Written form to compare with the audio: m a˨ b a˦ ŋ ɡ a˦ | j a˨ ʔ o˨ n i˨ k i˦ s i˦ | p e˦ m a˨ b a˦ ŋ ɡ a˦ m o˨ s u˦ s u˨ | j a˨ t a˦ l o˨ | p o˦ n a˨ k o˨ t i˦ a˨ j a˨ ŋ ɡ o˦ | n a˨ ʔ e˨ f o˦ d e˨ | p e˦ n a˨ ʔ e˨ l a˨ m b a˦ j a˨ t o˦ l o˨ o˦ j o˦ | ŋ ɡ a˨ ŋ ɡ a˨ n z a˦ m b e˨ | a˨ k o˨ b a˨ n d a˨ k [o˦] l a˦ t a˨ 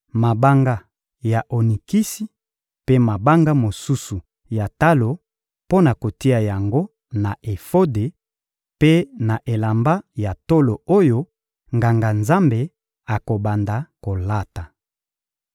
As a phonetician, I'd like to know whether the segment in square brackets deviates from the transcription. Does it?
yes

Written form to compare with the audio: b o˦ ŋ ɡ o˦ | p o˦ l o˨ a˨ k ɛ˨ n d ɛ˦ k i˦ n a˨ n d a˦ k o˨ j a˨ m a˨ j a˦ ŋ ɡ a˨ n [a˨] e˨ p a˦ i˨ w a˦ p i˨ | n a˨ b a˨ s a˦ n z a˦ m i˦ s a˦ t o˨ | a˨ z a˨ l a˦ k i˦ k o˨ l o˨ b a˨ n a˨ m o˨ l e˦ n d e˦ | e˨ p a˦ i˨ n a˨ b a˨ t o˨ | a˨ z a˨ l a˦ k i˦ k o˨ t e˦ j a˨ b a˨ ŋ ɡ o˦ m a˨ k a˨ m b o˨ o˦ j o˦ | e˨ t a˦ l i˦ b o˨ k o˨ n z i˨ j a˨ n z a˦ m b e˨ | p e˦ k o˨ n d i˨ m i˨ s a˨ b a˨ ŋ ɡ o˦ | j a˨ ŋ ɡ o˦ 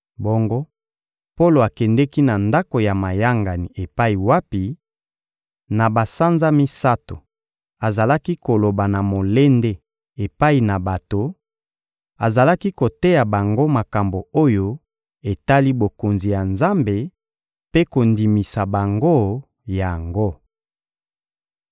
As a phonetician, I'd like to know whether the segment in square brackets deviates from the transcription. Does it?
yes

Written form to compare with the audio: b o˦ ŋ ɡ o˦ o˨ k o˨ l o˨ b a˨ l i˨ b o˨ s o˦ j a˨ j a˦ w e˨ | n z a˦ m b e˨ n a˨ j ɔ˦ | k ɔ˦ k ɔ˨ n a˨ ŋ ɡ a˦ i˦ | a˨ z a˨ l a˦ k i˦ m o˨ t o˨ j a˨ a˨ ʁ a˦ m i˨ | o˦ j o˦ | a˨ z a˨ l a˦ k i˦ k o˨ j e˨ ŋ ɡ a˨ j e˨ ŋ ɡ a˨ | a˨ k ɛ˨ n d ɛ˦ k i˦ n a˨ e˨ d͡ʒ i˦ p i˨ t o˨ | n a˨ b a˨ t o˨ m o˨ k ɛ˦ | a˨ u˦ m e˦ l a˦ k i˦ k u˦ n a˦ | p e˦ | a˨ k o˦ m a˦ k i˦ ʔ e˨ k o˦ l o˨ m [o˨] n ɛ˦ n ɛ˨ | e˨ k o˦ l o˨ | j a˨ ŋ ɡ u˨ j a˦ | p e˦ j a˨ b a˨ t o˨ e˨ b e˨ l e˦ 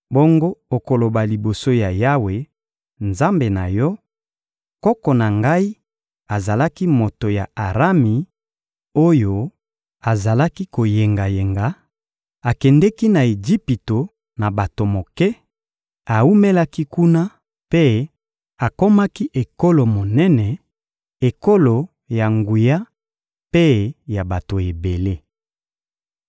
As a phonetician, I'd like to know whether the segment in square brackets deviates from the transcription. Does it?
no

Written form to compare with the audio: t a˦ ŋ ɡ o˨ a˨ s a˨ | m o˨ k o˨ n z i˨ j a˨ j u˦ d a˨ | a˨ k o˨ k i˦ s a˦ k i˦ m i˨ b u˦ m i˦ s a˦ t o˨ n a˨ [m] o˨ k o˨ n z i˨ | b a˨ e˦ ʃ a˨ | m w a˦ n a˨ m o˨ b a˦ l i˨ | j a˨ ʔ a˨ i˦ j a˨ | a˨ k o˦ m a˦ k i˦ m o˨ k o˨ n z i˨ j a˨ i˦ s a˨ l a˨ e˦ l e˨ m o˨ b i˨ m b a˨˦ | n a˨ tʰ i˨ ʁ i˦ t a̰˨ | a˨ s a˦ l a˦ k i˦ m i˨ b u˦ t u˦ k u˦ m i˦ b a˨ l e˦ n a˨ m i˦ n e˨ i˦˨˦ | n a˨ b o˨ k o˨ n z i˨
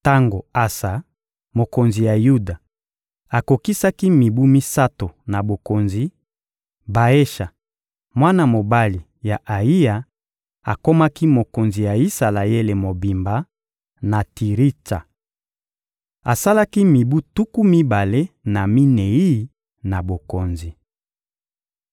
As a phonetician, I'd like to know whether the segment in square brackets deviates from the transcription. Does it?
yes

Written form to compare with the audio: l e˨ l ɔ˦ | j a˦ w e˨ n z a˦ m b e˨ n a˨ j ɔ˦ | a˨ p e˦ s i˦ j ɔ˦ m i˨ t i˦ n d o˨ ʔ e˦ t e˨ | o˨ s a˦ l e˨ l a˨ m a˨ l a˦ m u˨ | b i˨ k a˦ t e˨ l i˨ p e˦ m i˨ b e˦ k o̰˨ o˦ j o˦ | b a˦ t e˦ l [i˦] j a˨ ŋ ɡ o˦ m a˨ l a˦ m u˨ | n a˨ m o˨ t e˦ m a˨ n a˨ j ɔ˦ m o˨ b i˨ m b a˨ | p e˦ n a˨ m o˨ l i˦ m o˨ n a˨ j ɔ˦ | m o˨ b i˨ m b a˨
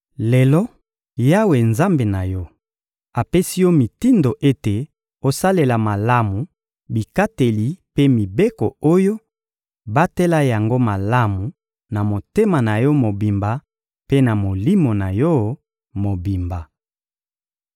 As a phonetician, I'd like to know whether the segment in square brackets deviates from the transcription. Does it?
yes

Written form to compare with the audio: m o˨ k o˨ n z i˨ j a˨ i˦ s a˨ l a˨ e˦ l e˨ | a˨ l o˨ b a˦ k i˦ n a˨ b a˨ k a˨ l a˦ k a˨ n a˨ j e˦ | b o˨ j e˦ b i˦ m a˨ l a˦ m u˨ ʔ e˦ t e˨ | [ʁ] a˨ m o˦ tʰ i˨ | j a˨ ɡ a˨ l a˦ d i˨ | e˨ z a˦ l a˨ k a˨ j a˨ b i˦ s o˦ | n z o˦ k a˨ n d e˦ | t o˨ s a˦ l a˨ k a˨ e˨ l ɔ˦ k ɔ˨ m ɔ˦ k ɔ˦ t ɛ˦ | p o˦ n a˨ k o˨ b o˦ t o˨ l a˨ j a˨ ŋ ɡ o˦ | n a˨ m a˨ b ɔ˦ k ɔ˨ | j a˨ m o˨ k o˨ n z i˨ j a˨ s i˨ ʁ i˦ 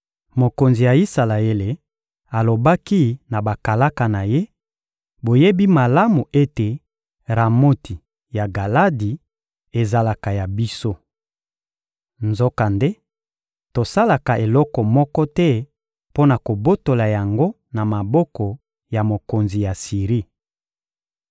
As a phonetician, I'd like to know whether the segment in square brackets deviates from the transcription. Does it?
no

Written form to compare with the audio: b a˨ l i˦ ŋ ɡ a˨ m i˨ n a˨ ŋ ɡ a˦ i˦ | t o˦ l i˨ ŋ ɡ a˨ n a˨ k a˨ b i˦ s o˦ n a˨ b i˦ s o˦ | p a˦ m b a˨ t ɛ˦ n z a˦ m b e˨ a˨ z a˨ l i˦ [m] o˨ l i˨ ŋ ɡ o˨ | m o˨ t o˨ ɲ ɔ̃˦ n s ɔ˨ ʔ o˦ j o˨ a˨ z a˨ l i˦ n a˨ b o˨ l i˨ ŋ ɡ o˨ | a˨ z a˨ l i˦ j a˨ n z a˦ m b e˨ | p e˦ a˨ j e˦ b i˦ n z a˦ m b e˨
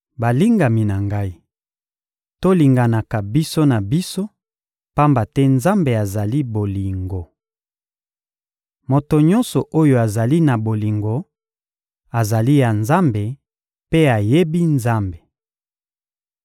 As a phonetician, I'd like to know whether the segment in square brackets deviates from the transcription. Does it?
yes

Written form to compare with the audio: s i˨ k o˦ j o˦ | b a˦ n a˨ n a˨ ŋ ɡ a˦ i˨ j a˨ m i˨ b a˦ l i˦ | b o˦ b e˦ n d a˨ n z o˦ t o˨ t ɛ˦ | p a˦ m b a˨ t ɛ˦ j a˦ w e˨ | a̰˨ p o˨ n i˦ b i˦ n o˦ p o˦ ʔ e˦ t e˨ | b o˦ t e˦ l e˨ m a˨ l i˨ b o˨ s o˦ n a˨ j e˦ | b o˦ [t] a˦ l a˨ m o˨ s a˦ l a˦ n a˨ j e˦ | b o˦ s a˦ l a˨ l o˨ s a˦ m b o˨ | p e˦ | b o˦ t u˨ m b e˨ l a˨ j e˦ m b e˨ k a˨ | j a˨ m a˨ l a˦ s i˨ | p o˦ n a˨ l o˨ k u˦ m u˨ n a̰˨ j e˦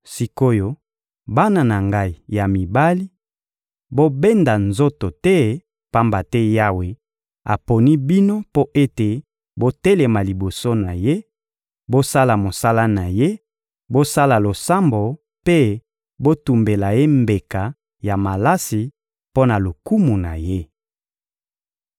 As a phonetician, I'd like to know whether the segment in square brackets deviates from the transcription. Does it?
yes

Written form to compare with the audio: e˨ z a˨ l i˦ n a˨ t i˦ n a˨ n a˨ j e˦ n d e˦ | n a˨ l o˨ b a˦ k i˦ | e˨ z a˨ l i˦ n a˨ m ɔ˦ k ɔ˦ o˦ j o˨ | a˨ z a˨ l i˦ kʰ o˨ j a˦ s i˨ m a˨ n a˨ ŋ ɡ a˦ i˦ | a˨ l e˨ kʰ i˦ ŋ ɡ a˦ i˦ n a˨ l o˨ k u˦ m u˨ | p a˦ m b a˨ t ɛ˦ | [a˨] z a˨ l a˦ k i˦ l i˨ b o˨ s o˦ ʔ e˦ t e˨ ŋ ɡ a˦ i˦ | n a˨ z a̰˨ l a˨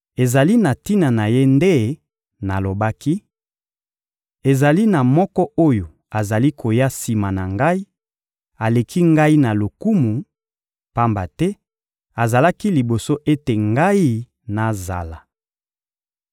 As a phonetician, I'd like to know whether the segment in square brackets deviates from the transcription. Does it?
no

